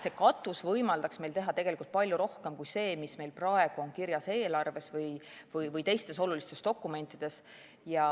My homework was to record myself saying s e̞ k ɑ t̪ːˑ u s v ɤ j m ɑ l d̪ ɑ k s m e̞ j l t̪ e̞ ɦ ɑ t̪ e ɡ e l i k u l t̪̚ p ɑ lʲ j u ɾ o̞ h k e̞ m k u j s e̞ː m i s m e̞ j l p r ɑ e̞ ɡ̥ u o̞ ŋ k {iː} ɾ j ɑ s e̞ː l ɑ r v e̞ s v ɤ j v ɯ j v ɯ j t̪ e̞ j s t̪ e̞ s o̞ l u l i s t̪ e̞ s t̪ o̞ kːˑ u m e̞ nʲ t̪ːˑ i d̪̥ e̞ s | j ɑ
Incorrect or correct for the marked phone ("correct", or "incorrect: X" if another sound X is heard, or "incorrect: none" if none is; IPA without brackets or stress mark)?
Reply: incorrect: i